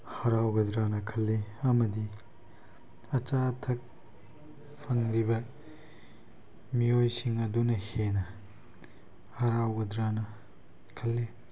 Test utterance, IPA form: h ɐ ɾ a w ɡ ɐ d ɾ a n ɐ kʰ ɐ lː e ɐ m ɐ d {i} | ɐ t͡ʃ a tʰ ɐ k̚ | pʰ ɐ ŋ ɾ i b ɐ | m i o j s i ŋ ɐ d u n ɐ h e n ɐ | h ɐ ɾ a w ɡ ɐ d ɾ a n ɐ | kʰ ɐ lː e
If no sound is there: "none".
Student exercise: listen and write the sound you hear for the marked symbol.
i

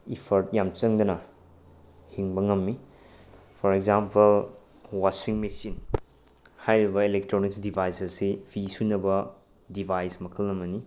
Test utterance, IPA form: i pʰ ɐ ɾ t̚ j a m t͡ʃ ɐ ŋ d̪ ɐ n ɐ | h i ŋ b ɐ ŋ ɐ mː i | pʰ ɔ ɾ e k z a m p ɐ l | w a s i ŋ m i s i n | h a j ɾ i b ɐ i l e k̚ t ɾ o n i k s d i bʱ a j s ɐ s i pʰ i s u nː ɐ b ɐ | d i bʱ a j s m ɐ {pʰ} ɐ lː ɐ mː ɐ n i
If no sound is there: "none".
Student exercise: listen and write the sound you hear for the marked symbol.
kʰ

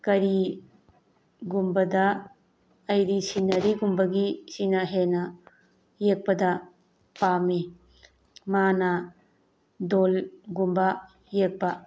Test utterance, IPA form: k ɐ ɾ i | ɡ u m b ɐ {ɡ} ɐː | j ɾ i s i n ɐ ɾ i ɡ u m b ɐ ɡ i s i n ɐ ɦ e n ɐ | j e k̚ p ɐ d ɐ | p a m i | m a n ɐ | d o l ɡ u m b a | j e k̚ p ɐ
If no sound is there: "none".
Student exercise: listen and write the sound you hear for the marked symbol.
d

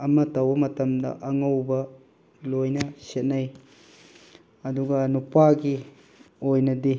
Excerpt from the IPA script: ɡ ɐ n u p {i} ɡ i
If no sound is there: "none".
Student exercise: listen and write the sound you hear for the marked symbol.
a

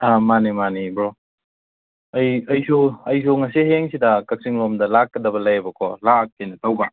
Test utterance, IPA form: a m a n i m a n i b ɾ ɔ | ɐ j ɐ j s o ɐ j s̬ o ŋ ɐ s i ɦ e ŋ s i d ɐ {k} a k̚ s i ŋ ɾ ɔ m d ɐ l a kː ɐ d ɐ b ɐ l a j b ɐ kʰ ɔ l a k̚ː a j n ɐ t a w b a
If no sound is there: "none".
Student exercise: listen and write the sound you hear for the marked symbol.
k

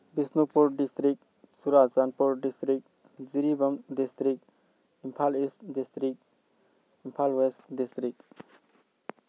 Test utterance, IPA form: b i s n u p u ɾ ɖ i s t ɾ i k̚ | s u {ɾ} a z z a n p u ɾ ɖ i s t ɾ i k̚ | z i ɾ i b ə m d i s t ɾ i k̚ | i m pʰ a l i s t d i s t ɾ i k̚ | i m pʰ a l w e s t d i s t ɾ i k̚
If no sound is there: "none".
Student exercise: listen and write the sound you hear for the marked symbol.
ɾ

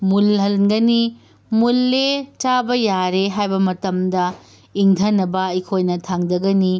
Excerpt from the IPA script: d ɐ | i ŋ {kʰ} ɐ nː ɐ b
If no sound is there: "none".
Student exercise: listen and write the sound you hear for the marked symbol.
tʰ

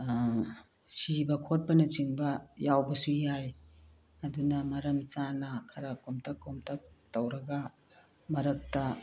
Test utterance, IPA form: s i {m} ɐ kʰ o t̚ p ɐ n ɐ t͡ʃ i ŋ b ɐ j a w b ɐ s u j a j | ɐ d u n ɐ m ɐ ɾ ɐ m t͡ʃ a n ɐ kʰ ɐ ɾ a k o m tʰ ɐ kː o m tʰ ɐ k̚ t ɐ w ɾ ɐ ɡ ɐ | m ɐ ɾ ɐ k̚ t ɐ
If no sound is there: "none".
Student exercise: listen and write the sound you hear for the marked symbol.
b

